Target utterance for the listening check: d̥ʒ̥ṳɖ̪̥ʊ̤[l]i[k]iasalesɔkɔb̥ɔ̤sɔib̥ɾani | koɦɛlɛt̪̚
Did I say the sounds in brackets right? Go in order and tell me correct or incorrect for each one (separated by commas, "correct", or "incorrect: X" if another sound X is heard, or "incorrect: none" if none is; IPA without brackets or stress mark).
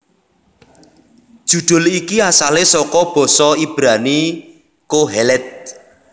correct, correct